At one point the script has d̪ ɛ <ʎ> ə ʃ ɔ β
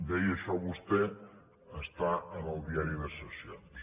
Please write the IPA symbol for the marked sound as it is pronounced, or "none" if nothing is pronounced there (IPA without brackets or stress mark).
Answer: j